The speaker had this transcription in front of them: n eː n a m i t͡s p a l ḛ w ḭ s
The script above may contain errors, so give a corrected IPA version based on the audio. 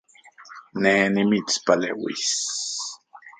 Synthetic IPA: n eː n i m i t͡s p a l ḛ w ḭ s